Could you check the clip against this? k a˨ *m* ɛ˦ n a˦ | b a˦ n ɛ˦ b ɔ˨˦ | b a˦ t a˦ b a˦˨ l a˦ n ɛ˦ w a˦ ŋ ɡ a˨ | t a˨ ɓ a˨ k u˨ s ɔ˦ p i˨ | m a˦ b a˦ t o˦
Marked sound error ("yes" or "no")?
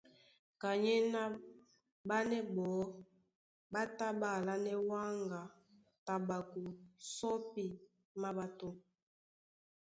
yes